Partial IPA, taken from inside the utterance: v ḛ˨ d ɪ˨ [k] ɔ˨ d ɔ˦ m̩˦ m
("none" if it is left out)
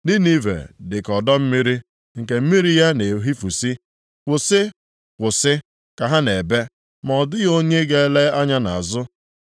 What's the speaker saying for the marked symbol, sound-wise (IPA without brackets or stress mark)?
k